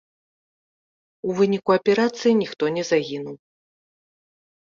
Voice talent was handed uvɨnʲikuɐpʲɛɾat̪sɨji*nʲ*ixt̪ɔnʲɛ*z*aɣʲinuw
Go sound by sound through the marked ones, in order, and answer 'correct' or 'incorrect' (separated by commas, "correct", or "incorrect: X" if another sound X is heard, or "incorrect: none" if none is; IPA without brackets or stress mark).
correct, correct